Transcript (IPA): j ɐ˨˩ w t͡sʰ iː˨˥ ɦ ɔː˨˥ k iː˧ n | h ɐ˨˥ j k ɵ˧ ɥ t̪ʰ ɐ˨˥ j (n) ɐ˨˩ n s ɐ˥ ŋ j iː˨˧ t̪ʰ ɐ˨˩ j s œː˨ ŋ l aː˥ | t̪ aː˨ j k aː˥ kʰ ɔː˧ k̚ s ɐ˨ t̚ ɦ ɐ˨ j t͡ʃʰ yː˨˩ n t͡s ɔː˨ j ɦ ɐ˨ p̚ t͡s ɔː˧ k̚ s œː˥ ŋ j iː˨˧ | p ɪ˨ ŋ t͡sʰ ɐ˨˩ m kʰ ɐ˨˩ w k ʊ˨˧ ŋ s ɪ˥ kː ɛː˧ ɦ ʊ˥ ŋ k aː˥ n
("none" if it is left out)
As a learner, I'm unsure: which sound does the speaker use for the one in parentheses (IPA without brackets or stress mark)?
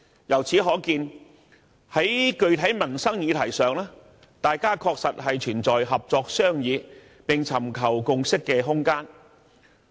m